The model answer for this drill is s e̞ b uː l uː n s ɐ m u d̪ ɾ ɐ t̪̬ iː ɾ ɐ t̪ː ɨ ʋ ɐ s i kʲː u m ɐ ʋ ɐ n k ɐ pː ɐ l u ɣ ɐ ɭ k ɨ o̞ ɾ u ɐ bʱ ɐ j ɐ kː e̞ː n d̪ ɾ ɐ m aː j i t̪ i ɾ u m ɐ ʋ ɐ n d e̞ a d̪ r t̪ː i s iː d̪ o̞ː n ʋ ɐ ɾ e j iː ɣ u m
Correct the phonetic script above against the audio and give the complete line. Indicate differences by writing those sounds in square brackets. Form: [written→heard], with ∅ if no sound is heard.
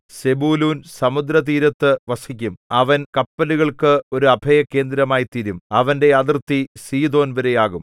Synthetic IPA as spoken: s e̞ b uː l uː n s ɐ m u d̪ ɾ ɐ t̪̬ iː ɾ ɐ t̪ː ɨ ʋ ɐ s i kʲː u m ɐ ʋ ɐ n k ɐ pː ɐ l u ɣ ɐ ɭ k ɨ o̞ ɾ u ɐ bʱ ɐ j ɐ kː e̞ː n d̪ ɾ ɐ m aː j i t̪ i ɾ u m ɐ ʋ ɐ n d e̞ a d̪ r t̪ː i s iː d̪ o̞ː n ʋ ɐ ɾ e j [iː→aː] ɣ u m